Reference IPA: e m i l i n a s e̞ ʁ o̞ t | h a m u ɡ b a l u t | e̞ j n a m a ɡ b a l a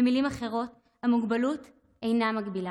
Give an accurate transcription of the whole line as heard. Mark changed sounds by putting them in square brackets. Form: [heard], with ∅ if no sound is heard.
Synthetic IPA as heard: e m i l i [m] a [χ] e̞ ʁ o̞ t | h a m u ɡ b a l u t | e̞ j n a m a ɡ b [i] l a